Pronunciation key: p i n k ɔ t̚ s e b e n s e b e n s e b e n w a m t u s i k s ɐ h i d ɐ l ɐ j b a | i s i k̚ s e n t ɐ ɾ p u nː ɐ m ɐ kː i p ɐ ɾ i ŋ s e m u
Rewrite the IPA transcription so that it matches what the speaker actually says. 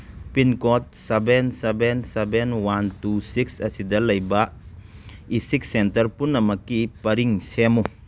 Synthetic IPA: p i n k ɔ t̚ s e b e n s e b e n s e b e n w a n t u s i k s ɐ s i d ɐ l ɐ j b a | i s i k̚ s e n t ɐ ɾ p u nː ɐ m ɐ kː i p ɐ ɾ i ŋ s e m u